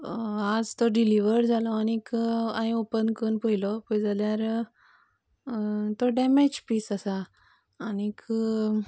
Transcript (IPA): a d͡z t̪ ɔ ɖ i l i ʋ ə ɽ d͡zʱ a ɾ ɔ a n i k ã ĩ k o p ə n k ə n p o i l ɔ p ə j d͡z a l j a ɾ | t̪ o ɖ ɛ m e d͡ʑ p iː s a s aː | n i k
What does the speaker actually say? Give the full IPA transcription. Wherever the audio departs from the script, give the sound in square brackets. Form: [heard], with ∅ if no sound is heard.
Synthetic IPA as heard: a d͡z t̪ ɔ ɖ i l i ʋ ə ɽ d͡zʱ a [l] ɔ a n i k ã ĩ [∅] o p ə n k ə n p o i l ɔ p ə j d͡z a l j a ɾ | t̪ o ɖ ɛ m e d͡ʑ p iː s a s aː | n i k